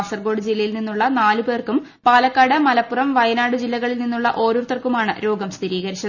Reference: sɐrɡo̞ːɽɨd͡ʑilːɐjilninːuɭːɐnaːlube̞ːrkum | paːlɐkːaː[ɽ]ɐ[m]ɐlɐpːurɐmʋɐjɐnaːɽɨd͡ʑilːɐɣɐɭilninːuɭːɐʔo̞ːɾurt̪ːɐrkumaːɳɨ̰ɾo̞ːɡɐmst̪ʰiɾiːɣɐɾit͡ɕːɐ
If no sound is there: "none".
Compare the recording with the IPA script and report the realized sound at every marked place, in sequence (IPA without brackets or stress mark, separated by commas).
ɽ, m